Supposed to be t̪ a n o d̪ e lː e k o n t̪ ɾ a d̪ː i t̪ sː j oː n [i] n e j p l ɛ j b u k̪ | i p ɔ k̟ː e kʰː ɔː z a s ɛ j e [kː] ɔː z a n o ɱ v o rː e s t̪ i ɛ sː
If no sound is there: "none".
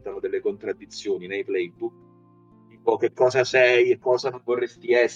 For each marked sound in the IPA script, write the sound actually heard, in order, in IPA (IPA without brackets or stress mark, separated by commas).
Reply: i, kː